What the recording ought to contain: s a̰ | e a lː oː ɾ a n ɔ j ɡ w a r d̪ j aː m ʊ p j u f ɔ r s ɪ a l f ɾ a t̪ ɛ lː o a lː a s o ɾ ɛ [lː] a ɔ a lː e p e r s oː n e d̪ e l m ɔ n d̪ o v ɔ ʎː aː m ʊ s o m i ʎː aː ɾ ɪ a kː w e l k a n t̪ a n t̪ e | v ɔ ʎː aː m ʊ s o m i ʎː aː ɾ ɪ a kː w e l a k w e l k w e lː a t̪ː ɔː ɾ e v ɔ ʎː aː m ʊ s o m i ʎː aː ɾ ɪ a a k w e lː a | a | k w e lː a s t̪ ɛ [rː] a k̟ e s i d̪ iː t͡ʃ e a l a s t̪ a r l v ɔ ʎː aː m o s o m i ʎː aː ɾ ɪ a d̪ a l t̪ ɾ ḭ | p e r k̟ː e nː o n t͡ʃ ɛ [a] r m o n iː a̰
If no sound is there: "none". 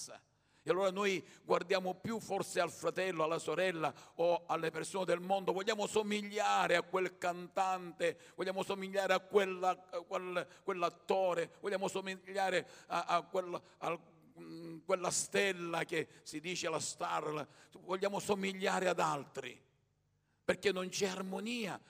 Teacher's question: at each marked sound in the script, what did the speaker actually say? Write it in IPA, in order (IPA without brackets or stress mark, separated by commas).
lː, lː, a